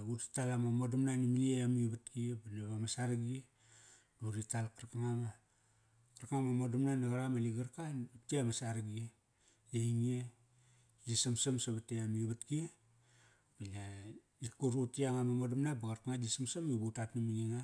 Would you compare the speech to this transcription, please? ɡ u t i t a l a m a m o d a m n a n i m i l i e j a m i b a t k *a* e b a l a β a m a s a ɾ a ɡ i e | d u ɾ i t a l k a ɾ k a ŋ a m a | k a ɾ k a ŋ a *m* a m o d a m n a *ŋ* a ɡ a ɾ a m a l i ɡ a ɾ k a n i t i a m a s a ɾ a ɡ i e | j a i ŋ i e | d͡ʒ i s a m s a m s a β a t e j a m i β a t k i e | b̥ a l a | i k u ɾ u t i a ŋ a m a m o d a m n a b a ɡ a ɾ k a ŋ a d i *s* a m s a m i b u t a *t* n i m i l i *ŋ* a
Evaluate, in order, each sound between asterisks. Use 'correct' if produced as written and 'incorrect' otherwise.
incorrect: i, correct, incorrect: n, correct, correct, correct

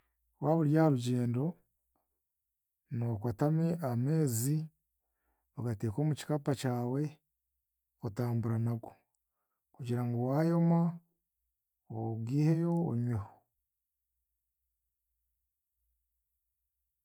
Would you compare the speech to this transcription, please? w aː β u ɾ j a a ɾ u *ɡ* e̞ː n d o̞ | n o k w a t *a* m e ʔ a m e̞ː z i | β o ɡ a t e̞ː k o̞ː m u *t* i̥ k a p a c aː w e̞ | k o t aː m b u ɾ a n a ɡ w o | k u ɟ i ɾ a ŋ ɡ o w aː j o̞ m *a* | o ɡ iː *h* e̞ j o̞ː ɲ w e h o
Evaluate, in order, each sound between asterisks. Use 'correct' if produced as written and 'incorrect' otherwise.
incorrect: ɟ, correct, incorrect: c, correct, correct

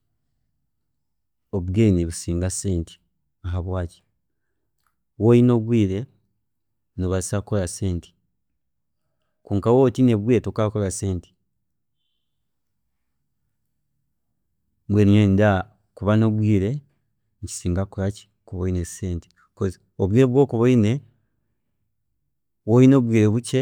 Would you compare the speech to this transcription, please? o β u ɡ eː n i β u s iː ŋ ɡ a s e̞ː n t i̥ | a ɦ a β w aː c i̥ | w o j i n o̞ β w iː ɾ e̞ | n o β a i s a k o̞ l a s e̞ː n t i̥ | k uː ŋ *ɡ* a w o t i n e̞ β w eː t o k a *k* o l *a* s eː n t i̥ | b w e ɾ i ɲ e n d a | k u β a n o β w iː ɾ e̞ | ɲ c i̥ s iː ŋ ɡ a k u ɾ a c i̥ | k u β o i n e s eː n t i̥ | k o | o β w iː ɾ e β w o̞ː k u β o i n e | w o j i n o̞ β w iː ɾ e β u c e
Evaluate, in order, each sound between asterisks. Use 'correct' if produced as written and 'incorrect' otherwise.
incorrect: k, correct, correct

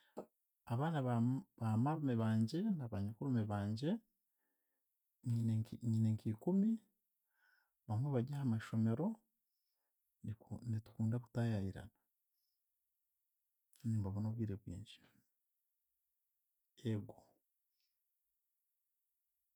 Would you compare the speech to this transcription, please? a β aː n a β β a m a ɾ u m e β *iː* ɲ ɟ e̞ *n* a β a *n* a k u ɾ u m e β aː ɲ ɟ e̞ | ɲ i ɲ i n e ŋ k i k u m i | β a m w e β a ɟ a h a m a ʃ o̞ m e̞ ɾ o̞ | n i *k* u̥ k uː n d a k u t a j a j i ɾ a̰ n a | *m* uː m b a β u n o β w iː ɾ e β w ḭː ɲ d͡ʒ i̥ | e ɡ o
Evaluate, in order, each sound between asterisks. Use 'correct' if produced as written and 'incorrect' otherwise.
incorrect: aː, correct, incorrect: ɲ, incorrect: t, incorrect: ɲ

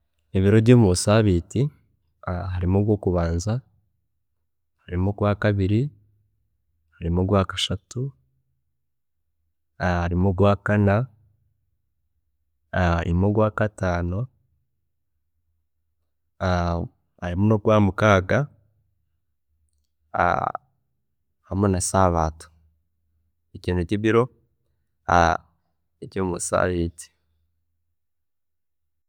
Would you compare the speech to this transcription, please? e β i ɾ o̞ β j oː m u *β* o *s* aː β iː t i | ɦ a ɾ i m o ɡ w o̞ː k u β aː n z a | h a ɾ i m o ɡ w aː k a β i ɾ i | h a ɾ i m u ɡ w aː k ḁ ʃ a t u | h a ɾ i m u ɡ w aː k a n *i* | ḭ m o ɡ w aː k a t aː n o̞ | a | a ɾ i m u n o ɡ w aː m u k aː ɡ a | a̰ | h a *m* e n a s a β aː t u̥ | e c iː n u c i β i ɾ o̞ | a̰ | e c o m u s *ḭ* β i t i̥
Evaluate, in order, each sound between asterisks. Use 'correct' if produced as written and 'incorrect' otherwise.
correct, correct, incorrect: a, correct, incorrect: a̰

